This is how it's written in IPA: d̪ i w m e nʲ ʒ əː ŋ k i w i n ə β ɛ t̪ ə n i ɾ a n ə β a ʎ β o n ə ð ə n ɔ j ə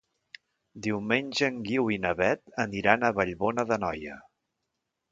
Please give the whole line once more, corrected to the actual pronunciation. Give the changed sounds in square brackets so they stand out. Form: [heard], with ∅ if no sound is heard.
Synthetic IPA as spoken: d̪ i w m e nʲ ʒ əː ŋ [ɡ] i w i n ə β ɛ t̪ ə n i ɾ a n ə β [ə] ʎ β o n ə ð ə n ɔ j ə